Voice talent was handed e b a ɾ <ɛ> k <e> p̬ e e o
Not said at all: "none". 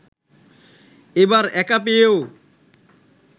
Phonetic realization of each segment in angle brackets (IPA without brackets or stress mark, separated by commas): ɛ, a